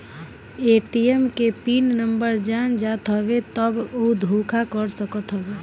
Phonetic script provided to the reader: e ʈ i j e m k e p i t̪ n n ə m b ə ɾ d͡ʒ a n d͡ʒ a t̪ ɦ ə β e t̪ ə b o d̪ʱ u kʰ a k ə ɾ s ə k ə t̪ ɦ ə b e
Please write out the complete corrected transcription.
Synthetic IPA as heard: e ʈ i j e m k e p i n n ə m b ə ɾ d͡ʒ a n d͡ʒ a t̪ ɦ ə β e t̪ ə b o d̪ʱ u kʰ a k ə ɾ s ə k ə t̪ ɦ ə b e